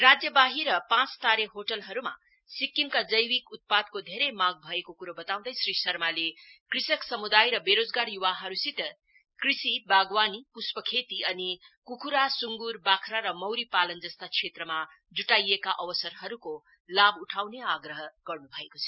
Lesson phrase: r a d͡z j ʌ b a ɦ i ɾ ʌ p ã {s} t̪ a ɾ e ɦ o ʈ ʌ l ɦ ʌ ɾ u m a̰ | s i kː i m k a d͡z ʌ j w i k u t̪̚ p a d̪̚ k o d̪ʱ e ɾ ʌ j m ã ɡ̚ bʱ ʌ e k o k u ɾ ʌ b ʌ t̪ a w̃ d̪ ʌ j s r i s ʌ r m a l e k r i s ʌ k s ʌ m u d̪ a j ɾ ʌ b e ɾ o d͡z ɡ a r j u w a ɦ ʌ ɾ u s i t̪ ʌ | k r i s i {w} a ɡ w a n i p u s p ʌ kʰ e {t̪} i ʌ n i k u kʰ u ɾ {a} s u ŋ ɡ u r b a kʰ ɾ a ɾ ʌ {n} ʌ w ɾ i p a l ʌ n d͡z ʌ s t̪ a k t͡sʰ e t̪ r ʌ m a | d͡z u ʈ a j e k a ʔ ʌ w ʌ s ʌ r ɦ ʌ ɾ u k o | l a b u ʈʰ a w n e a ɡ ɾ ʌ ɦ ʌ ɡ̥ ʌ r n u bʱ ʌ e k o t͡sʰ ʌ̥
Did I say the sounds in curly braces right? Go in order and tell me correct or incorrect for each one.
incorrect, incorrect, correct, correct, incorrect

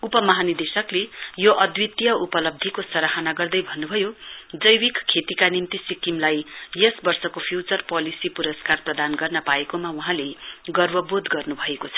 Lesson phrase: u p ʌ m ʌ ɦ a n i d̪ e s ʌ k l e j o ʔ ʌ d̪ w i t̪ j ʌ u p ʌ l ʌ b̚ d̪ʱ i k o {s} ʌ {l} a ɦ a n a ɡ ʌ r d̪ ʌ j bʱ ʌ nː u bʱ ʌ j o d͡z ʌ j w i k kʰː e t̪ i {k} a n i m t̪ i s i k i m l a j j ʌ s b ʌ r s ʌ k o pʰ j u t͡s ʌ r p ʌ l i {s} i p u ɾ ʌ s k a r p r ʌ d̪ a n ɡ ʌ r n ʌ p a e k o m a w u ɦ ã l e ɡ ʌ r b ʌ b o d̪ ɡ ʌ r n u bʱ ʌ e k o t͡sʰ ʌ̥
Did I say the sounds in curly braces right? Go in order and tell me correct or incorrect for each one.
correct, incorrect, correct, correct

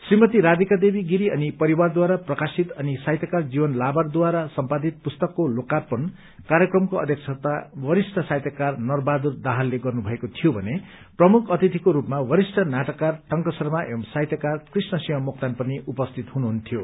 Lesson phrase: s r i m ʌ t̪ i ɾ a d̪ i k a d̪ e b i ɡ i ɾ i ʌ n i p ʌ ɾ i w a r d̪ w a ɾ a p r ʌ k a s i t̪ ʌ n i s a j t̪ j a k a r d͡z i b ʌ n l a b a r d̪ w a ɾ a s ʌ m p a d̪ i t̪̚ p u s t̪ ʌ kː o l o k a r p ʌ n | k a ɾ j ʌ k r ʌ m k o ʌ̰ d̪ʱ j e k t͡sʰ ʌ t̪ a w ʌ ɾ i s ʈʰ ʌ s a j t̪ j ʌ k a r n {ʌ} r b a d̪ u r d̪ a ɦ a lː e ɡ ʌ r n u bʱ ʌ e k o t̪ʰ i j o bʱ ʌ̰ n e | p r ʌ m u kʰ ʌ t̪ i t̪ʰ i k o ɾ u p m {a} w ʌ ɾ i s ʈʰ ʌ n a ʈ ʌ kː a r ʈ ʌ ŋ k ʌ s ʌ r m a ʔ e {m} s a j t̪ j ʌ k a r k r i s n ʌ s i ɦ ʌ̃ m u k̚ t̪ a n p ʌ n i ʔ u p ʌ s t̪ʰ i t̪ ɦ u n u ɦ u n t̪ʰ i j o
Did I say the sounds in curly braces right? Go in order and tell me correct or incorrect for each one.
correct, correct, correct

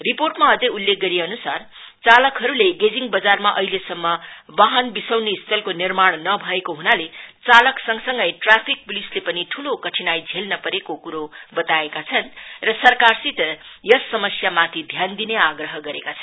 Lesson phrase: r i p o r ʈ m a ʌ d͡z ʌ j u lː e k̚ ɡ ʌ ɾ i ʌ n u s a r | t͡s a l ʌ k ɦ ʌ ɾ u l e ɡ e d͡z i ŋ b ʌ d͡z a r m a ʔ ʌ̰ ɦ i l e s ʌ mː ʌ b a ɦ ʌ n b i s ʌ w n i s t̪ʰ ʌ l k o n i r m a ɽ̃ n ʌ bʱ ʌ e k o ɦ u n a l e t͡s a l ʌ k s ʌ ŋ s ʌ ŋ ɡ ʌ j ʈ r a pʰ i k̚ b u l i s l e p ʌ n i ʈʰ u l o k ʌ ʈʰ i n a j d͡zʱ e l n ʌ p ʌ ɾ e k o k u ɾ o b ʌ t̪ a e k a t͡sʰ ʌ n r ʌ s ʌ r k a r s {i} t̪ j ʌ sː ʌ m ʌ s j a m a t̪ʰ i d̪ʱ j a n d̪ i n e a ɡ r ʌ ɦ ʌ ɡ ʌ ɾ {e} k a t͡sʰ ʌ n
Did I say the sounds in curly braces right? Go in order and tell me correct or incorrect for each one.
correct, correct

